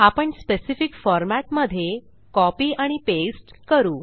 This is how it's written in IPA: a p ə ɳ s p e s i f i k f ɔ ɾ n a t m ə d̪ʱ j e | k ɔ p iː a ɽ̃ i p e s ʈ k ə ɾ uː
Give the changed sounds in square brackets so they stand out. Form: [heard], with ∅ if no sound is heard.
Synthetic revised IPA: a p ə ɳ s p e s i f i k f ɔ ɾ [m] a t m ə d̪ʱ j e | k ɔ p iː a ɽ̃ i p e s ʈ k ə ɾ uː